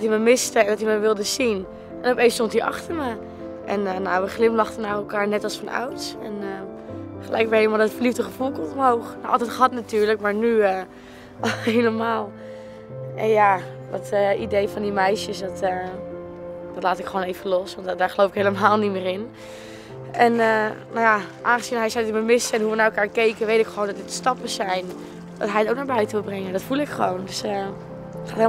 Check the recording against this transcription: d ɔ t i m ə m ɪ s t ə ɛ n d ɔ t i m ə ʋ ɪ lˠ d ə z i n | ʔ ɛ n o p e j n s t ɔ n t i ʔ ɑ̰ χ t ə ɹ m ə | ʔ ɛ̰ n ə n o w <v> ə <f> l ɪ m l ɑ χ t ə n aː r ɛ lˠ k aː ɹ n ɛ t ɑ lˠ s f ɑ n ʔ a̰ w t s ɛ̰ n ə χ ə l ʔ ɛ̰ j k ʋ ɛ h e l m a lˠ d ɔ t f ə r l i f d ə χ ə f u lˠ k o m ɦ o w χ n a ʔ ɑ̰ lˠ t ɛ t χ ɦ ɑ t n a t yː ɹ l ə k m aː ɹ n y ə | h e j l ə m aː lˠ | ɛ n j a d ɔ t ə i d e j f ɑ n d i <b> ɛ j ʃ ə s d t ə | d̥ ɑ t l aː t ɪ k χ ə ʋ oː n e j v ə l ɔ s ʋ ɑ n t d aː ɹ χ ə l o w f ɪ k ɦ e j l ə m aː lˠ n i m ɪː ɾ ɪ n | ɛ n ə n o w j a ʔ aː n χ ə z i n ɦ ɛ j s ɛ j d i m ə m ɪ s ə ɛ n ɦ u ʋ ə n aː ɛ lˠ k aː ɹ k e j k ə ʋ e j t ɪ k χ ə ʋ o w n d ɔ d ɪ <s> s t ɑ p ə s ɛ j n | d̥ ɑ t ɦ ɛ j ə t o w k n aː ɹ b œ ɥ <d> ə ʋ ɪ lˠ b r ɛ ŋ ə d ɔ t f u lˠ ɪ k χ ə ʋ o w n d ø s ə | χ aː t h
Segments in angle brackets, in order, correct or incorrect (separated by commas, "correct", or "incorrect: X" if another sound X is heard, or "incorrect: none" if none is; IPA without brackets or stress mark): incorrect: ʋ, incorrect: χ, incorrect: m, incorrect: t, incorrect: t